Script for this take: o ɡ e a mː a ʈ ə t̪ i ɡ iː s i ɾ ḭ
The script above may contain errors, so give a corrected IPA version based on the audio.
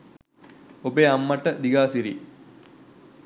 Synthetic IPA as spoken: o b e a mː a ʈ ə d̪ i ɡ aː s i ɾ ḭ